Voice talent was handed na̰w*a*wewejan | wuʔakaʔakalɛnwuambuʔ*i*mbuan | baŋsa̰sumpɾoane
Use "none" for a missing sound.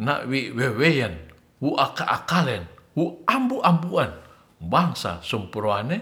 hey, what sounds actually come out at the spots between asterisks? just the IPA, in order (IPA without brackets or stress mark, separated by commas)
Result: i, a